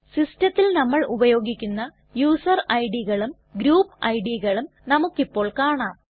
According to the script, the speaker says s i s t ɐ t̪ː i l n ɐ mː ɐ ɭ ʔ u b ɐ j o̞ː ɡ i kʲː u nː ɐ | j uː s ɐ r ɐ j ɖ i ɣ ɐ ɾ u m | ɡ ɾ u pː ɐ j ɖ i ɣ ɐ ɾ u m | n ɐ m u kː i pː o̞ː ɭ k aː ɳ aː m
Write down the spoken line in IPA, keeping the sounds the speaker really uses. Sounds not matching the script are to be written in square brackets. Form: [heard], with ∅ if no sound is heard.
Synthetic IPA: s i s t ɐ t̪ː i l n ɐ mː ɐ ɭ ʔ u b ɐ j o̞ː ɡ i kʲː u nː ɐ | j uː s ɐ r ɐ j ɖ i ɣ ɐ [ɭ] u m | ɡ ɾ [uː] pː ɐ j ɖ i ɣ ɐ [ɭ] u m | n ɐ m u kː i pː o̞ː ɭ k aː ɳ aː m